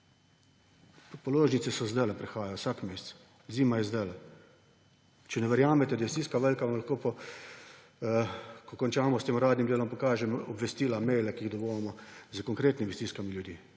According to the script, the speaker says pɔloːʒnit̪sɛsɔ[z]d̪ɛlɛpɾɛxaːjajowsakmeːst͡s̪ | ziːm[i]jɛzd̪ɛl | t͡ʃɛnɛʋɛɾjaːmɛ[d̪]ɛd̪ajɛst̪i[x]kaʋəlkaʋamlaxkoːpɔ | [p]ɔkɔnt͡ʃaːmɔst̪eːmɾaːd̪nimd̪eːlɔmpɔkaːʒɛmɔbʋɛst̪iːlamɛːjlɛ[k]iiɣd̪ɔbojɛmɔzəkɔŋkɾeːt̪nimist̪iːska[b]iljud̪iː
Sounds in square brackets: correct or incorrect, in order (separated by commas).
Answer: correct, incorrect, incorrect, incorrect, incorrect, correct, incorrect